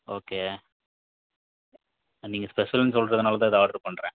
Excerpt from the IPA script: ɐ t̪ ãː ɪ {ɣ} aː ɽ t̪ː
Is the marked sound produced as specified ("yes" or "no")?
no